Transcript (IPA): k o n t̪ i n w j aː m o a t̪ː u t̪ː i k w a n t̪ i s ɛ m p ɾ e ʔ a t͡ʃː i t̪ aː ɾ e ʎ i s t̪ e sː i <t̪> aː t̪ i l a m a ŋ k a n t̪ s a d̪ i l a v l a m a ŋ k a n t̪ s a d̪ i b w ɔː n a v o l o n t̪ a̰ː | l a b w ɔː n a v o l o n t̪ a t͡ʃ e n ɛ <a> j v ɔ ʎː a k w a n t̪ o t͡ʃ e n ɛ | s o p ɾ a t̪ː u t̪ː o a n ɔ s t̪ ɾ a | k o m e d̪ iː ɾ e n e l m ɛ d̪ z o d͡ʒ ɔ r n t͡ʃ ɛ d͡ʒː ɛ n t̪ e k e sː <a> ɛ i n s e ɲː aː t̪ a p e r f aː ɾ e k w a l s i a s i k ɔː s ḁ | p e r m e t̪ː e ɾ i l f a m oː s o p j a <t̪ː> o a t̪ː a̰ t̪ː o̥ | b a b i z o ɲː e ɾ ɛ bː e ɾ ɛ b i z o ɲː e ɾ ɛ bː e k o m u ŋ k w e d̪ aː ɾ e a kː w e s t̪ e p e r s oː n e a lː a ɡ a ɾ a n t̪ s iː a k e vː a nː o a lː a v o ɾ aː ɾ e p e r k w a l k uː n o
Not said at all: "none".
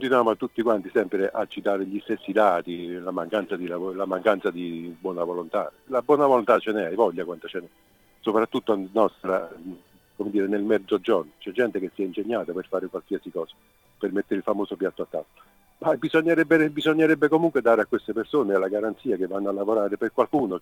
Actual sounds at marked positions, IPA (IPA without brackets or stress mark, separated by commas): d̪, a, i, t̪ː